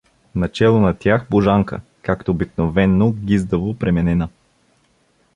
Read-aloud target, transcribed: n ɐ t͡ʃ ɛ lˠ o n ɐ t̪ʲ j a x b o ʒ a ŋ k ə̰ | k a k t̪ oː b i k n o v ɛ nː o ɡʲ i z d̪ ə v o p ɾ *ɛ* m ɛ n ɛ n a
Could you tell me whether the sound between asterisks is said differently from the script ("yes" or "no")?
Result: no